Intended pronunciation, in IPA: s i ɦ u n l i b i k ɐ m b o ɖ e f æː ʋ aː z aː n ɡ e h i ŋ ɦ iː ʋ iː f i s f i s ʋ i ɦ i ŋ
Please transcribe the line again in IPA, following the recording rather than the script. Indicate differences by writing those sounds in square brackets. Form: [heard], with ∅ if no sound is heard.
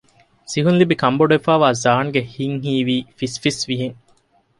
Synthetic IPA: s i ɦ u n l i b i k ɐ m b o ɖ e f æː ʋ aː z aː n ɡ e h i ŋ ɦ iː ʋ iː f i s f i s ʋ i ɦ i ŋ

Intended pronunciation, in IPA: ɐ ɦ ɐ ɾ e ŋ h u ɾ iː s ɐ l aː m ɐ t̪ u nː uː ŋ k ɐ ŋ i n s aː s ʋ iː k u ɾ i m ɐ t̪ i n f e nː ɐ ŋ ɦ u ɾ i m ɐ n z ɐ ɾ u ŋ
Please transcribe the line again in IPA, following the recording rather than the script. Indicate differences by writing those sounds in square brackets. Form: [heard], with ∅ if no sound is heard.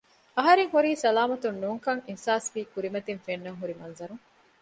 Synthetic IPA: ɐ ɦ ɐ ɾ e ŋ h u ɾ iː s ɐ l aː m ɐ t̪ u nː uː ŋ k ɐ ŋ i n s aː s ʋ iː k u ɾ i m ɐ t̪ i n f e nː ɐ ŋ ɦ u ɾ i m ɐ n z ɐ ɾ u ŋ

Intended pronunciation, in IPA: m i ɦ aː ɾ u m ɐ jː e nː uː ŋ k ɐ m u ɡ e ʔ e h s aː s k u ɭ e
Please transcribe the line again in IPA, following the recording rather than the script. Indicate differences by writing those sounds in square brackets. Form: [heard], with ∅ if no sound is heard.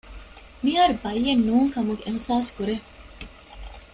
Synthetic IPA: m i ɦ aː ɾ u [b] ɐ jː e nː uː ŋ k ɐ m u ɡ e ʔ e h s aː s k u [ɾ] e

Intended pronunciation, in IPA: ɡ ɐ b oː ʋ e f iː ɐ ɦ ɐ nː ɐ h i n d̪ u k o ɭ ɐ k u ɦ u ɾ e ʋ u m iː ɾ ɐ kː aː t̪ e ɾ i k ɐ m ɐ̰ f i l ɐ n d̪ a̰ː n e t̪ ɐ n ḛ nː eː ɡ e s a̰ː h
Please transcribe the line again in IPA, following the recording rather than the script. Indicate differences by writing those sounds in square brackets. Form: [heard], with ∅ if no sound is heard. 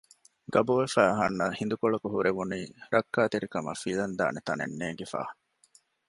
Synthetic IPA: ɡ ɐ b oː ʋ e f [æː] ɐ ɦ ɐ nː ɐ h i n d̪ u k o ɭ ɐ k u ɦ u ɾ e ʋ u [n] iː ɾ ɐ kː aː t̪ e ɾ i k ɐ m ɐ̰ f i l ɐ n d̪ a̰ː n e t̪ ɐ n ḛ nː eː ɡ e [f] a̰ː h

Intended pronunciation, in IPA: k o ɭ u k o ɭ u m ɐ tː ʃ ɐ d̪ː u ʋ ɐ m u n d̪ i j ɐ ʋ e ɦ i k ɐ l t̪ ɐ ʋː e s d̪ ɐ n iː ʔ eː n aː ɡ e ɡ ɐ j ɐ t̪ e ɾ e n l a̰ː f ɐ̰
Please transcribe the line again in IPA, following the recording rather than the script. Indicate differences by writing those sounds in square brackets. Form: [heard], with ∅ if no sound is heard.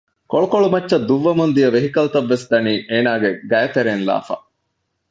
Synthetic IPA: k o ɭ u k o ɭ u m ɐ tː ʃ ɐ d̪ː u [ʋː] ɐ m u n d̪ i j ɐ ʋ e ɦ i k ɐ l t̪ ɐ ʋː e s d̪ ɐ n iː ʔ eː n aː ɡ e ɡ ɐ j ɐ t̪ e ɾ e n l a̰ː f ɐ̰

